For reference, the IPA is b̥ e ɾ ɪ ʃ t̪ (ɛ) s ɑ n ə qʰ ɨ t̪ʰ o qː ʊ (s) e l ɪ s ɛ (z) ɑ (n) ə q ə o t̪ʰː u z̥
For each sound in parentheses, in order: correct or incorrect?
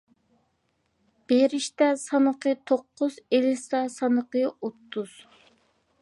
correct, incorrect: z, incorrect: s, correct

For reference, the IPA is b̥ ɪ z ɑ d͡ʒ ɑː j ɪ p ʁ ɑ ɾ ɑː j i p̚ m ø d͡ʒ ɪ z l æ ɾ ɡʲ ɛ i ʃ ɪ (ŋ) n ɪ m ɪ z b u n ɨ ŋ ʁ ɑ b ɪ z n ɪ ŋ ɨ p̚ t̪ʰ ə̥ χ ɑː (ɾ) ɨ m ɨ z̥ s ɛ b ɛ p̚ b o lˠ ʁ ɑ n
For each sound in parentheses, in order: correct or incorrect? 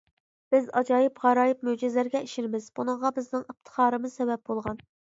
incorrect: none, correct

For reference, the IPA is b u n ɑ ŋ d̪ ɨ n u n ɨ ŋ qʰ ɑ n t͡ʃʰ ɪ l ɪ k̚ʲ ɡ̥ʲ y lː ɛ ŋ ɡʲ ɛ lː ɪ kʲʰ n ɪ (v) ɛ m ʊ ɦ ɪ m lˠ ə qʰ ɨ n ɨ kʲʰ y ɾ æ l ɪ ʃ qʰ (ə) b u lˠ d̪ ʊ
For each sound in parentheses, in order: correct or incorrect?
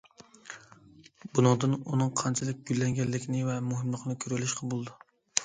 correct, incorrect: ɑ

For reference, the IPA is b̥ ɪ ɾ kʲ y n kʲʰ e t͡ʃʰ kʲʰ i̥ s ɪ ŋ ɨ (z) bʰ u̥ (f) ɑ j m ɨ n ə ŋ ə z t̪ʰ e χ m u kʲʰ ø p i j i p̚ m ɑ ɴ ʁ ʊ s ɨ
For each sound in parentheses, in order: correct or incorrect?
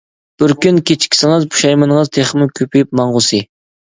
correct, incorrect: ʃ

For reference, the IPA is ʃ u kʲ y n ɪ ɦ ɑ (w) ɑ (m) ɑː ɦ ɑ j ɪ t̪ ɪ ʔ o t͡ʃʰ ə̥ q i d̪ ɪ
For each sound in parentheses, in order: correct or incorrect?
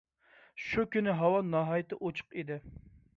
correct, incorrect: n

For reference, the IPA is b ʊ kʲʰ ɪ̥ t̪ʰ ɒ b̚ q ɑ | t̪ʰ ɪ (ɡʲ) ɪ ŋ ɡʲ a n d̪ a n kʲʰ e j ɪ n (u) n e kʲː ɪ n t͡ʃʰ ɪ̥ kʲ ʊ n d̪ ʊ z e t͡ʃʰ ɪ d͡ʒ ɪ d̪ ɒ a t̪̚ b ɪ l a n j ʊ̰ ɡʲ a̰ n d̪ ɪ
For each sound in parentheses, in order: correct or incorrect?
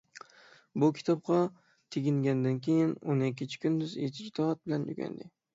correct, incorrect: o

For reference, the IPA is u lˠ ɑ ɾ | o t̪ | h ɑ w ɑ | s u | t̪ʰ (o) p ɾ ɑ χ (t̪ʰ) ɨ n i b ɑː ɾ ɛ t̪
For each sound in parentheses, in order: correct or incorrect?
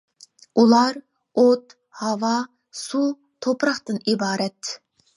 correct, incorrect: t̪

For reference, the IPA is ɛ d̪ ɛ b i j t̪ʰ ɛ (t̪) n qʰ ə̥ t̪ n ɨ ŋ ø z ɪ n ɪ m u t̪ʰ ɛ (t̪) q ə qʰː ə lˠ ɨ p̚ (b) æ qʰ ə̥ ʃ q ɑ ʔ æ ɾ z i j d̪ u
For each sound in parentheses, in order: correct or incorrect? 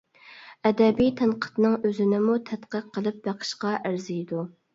incorrect: none, correct, correct

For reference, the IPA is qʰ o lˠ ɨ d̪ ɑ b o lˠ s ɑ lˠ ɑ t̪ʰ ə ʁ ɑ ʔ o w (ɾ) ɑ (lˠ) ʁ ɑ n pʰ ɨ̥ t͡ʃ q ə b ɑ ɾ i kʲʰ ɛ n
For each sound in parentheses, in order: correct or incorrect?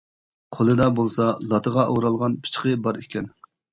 correct, correct

